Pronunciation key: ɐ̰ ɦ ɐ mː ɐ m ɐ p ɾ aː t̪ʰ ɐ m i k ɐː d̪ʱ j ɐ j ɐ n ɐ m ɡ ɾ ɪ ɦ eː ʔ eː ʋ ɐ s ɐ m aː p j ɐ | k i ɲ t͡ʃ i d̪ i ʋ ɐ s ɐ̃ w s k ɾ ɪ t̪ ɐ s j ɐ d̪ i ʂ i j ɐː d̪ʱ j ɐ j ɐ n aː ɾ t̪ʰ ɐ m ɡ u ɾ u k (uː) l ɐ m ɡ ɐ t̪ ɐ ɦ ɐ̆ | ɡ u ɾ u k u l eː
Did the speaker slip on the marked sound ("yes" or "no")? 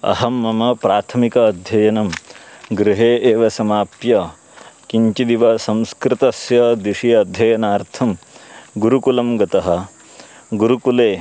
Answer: yes